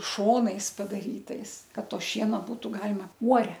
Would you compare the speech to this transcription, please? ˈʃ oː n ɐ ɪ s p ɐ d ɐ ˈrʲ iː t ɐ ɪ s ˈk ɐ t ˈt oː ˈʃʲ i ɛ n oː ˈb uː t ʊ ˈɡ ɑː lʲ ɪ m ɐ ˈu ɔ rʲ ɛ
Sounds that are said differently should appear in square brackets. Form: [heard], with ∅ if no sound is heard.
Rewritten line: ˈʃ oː n ɐ ɪ s p ɐ d ɐ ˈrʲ iː t ɐ ɪ s ˈk ɐ t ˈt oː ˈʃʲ i ɛ n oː ˈb uː t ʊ ˈɡ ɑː lʲ ɪ m ɐ ˈu ɔ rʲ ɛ